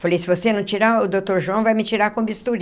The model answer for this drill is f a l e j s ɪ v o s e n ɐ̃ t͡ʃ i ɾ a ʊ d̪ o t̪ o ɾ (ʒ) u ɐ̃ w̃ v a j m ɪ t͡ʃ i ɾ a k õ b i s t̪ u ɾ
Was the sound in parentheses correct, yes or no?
yes